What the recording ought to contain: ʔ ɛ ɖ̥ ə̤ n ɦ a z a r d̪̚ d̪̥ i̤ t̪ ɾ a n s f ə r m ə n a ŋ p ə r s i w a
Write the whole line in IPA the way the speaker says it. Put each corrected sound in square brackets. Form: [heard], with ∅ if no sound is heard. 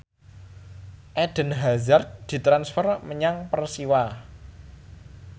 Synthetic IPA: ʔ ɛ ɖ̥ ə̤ n ɦ a z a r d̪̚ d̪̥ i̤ t̪ ɾ a n s f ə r m ə [ɲ] a ŋ p ə r s i w a